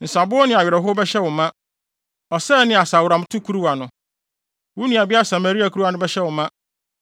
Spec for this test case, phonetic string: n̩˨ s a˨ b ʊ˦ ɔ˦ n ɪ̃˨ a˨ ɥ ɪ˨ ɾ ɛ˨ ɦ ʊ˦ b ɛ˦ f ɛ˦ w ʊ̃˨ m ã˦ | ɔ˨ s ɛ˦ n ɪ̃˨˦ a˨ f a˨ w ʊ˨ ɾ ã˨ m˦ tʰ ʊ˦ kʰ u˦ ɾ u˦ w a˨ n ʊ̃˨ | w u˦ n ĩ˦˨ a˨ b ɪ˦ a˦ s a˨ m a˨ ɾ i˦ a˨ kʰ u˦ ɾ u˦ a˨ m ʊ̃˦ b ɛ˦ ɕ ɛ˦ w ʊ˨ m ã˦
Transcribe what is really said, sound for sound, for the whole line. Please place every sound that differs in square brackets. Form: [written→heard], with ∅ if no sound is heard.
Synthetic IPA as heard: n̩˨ s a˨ b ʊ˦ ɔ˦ n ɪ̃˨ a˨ ɥ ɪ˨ ɾ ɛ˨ ɦ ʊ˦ b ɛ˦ [f→ɕ] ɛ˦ w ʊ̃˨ m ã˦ | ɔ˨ s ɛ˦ n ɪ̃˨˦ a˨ [f→s] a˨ w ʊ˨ ɾ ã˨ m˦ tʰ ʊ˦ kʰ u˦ ɾ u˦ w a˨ n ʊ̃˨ | w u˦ n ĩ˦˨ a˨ b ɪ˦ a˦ s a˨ m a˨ ɾ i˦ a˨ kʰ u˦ ɾ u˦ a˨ [m→n] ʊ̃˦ b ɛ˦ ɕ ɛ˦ w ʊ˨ m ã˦

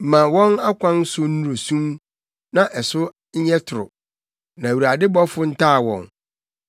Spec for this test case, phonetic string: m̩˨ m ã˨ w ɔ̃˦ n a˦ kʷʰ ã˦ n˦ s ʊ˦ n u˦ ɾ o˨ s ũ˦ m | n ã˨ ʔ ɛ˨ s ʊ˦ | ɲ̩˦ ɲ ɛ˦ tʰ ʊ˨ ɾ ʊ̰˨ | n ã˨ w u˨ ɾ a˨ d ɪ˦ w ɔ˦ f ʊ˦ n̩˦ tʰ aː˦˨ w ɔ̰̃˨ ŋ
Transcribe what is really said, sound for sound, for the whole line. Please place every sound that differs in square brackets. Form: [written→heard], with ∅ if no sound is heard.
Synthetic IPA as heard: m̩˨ m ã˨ w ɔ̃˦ n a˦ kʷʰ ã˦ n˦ s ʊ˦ n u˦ ɾ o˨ s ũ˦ m | n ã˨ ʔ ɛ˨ s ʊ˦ | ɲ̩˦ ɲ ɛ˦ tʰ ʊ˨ ɾ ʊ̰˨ | n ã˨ w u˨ ɾ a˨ d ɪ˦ [w→b] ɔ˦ f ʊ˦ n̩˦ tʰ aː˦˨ w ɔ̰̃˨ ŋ

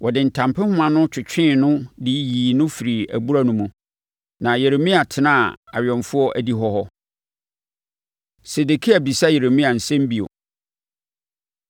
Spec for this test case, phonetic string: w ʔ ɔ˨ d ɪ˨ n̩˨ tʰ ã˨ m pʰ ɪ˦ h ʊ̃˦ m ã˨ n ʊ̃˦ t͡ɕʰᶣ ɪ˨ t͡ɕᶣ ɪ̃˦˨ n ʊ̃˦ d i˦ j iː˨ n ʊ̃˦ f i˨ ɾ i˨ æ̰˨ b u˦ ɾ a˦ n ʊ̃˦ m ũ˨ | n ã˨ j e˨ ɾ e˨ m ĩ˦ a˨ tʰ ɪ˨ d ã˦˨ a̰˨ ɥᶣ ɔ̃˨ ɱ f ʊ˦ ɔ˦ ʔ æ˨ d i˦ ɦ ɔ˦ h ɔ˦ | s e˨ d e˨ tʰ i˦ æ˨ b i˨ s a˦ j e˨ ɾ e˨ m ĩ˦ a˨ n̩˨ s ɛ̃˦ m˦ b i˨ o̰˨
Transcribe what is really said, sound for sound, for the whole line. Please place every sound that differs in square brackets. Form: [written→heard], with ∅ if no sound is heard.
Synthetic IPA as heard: w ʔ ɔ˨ d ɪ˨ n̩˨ tʰ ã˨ m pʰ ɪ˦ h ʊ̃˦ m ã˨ n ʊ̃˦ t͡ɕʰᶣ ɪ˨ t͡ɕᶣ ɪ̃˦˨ n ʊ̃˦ d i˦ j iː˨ n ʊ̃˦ f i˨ ɾ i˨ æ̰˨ b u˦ ɾ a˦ n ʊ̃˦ m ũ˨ | n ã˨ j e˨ ɾ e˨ m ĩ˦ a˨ tʰ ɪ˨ [d→n] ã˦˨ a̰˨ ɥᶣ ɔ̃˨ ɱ f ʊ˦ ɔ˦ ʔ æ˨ d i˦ ɦ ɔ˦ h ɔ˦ | s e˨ d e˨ [tʰ→kʰ] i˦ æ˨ b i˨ s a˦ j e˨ ɾ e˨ m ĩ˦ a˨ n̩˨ s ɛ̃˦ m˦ b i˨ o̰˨

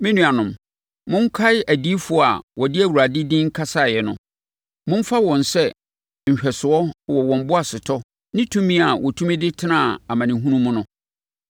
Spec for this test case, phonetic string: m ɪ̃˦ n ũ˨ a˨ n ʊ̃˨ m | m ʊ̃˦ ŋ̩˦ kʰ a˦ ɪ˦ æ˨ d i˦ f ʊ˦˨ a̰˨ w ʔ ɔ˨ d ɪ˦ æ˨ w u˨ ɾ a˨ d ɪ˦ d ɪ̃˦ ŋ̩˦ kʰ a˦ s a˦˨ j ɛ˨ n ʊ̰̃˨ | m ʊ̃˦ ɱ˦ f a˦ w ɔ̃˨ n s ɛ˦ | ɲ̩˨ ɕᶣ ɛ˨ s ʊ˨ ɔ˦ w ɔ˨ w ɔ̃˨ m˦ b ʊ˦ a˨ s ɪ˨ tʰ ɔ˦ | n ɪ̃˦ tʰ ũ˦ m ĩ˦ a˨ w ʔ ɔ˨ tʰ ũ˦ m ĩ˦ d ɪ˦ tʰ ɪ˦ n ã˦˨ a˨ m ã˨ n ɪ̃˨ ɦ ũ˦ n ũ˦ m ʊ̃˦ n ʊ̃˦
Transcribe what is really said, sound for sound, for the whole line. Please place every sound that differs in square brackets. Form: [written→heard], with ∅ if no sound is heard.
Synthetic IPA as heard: m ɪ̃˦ n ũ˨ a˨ n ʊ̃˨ m | m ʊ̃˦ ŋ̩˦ kʰ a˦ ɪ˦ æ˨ d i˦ f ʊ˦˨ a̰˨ w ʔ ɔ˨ d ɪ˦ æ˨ w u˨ ɾ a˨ d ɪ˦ d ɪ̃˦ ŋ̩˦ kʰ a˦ s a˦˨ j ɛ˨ n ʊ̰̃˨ | m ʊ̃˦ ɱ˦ f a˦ w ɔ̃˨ n s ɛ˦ | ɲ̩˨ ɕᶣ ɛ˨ s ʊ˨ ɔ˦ w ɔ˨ w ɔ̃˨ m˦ b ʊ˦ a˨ s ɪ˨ tʰ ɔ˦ | n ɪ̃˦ tʰ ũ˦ m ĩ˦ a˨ w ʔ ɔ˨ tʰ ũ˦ m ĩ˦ d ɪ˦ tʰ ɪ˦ n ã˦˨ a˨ m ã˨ n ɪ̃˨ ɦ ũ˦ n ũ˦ m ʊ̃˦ n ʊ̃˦

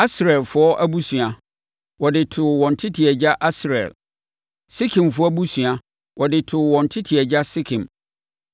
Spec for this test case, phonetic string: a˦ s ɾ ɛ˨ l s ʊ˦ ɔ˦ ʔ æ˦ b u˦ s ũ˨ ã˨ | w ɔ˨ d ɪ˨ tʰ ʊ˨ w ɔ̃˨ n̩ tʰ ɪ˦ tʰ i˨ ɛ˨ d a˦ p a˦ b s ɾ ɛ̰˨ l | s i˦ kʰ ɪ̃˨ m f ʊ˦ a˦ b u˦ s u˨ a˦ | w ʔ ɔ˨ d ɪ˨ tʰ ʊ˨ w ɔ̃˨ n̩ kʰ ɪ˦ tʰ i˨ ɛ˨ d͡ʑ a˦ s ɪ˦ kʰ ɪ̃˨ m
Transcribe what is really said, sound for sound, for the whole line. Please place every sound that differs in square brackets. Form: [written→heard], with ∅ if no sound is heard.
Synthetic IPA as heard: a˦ s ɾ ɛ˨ l [s→f] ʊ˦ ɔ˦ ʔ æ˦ b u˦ s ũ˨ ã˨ | w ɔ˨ d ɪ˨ tʰ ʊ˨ w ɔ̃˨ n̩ tʰ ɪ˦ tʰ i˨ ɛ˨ [d→d͡ʑ] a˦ [p→ʔ] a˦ [b→∅] s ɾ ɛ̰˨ l | s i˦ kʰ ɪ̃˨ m f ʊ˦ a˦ b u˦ s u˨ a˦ | w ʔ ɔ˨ d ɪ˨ tʰ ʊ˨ w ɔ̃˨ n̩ [kʰ→tʰ] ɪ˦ tʰ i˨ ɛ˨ d͡ʑ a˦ s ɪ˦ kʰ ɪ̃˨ m

